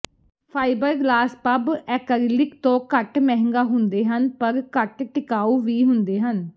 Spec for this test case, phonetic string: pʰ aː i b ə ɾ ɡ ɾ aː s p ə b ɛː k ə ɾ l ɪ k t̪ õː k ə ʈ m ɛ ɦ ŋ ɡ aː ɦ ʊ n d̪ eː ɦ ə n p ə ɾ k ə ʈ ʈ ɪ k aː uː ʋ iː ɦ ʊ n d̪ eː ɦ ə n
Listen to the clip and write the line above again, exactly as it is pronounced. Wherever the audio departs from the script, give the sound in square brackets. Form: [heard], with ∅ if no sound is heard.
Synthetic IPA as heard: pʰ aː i b ə ɾ ɡ [l] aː s p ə b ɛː k ə ɾ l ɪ k t̪ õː k ə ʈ m ɛ ɦ ŋ ɡ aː ɦ ʊ n d̪ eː ɦ ə n p ə ɾ k ə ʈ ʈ ɪ k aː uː ʋ iː ɦ ʊ n d̪ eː ɦ ə n